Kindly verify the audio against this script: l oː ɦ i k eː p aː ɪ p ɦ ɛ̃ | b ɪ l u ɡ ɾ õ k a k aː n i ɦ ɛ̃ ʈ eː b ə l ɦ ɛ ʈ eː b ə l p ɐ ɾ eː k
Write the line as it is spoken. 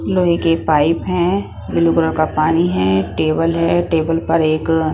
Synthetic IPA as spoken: l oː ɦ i k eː p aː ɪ p ɦ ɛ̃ | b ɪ l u ɡ ɾ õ k a p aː n i ɦ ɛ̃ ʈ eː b ə l ɦ ɛ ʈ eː b ə l p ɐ ɾ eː k